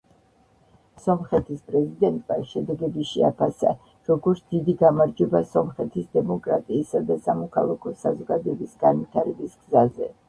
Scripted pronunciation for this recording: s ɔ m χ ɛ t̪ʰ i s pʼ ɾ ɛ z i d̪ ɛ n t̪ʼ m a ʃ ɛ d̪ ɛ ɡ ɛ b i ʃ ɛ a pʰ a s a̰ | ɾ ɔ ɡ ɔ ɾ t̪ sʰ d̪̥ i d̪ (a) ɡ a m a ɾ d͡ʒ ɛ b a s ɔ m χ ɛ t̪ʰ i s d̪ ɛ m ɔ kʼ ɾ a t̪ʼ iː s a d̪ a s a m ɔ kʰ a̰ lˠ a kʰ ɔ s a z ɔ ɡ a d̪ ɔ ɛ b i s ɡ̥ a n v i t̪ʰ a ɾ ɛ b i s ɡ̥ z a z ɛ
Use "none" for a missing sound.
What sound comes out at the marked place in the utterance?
i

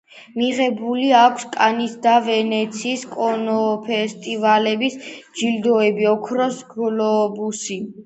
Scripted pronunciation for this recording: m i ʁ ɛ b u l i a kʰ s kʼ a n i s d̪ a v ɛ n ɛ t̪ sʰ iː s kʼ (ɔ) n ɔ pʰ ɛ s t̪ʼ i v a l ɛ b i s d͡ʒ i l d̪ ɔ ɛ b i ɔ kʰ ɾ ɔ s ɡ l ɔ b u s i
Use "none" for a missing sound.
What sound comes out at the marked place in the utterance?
ɔ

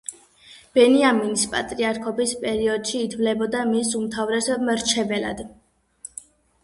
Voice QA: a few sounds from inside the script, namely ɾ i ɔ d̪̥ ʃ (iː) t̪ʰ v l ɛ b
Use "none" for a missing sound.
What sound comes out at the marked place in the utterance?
iː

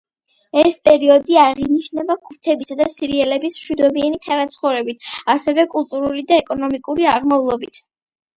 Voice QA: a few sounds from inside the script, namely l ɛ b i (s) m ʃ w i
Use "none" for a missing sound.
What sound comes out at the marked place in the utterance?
s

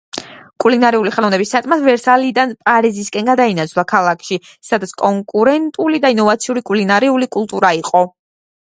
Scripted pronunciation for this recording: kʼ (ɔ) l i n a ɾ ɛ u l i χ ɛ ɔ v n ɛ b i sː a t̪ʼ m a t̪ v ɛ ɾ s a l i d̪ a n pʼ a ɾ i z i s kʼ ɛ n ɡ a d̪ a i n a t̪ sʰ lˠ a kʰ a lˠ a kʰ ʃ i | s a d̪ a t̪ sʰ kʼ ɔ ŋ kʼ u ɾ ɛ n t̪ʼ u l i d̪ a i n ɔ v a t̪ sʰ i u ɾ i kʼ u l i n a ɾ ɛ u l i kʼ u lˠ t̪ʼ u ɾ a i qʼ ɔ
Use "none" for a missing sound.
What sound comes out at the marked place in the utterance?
u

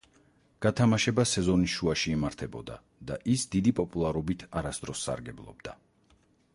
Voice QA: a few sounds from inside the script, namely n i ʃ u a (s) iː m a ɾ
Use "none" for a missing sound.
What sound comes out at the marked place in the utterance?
ʃ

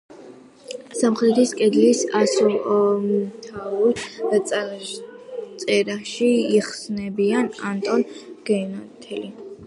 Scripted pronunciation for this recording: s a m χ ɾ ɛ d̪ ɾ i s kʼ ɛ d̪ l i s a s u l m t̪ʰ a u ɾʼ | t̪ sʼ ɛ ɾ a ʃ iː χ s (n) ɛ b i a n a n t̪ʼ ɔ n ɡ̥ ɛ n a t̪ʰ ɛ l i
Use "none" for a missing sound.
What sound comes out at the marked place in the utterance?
n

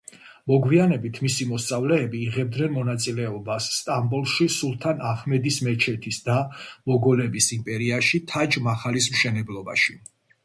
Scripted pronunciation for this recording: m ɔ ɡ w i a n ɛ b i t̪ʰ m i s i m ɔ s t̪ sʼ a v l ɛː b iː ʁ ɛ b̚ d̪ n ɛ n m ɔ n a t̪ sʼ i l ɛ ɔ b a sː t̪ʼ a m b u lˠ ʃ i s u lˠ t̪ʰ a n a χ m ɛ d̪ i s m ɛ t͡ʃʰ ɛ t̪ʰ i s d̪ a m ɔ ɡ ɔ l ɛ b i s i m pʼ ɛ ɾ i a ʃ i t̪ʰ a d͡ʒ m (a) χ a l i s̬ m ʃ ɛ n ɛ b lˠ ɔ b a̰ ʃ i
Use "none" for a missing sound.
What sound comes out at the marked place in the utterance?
a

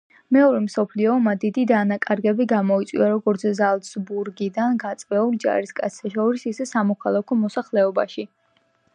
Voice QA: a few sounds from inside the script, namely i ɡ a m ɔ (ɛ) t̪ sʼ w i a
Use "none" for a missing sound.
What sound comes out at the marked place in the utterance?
i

